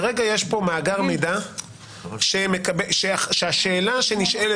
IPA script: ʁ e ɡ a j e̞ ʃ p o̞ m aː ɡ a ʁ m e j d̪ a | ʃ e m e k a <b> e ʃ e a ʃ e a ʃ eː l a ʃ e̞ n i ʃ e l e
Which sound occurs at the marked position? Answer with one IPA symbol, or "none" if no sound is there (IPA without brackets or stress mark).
b